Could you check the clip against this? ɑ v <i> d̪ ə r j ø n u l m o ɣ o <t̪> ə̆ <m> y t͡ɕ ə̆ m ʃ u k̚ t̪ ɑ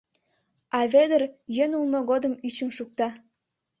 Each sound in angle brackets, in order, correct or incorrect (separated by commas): incorrect, incorrect, correct